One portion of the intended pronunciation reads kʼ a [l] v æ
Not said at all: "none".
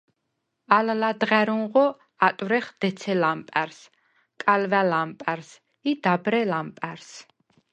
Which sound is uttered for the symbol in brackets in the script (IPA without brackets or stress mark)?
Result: l